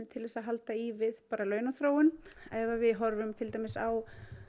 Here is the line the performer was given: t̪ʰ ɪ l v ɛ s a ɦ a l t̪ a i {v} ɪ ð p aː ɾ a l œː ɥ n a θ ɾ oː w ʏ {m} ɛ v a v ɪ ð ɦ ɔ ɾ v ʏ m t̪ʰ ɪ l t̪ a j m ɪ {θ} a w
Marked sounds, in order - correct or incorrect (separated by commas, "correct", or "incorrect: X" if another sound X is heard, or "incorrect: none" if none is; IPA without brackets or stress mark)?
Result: correct, incorrect: n, incorrect: s